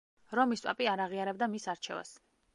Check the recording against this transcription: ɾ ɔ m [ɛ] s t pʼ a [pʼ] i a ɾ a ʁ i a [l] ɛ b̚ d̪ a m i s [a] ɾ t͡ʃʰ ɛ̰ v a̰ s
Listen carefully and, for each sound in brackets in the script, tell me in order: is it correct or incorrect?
incorrect, correct, incorrect, correct

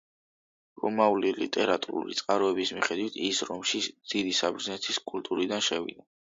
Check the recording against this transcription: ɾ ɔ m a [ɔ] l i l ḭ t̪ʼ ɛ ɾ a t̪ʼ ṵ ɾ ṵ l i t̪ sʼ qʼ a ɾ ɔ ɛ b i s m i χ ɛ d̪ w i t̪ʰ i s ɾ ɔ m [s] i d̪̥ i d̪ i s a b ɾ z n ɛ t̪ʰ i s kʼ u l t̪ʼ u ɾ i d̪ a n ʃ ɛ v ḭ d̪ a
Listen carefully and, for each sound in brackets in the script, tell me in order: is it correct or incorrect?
incorrect, incorrect

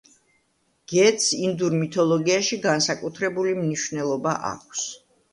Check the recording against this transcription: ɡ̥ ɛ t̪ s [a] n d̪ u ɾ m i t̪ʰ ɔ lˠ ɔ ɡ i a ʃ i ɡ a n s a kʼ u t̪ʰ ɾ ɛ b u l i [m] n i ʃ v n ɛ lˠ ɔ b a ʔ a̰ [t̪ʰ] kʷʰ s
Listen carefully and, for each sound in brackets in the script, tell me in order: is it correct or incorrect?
incorrect, correct, incorrect

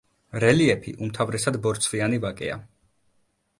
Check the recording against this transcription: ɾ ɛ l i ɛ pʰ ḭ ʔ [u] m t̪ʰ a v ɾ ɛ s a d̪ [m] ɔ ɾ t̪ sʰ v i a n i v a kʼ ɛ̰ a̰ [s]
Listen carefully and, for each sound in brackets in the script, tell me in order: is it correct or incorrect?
correct, incorrect, incorrect

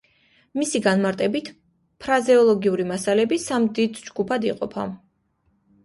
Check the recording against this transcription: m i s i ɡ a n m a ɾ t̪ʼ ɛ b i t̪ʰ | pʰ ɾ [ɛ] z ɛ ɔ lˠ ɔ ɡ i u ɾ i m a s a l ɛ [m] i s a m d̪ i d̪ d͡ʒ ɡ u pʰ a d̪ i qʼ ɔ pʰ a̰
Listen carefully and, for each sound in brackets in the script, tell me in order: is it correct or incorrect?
incorrect, incorrect

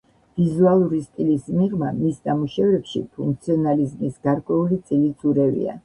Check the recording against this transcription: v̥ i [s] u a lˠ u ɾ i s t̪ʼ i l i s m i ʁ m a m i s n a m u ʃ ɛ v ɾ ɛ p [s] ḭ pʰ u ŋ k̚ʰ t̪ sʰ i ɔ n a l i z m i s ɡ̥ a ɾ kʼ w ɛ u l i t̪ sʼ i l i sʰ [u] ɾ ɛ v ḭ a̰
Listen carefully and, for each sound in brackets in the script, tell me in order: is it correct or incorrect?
incorrect, incorrect, correct

